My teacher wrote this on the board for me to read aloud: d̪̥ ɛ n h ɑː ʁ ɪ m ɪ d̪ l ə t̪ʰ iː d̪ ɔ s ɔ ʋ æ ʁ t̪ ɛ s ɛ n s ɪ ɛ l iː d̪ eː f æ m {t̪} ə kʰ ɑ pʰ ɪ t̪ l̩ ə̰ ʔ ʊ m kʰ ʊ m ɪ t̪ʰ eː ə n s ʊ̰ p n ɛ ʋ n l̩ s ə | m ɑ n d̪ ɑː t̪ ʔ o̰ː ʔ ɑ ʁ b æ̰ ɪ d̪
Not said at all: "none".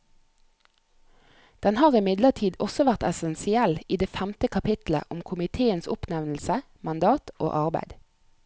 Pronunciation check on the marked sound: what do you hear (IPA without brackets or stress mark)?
t̪